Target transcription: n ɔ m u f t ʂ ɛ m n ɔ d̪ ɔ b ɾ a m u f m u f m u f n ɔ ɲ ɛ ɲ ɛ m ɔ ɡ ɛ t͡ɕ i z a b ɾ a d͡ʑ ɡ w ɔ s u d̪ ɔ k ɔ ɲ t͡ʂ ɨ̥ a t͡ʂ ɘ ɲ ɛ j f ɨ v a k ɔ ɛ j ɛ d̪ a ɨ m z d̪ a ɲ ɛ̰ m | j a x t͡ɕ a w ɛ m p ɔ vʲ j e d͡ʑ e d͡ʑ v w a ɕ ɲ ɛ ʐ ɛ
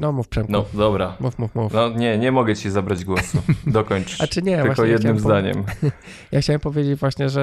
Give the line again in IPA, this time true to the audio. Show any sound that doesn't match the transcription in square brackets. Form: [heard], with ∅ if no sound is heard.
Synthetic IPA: n ɔ m u f [p] ʂ ɛ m n ɔ d̪ ɔ b ɾ a m u f m u f m u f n ɔ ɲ ɛ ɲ ɛ m ɔ ɡ ɛ t͡ɕ i z a b ɾ a d͡ʑ ɡ w ɔ s u d̪ ɔ k ɔ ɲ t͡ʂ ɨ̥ a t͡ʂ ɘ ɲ ɛ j [v] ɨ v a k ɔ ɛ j ɛ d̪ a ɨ m z d̪ a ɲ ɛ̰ m | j a x t͡ɕ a w ɛ m p ɔ vʲ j e d͡ʑ e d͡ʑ v w a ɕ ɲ ɛ ʐ ɛ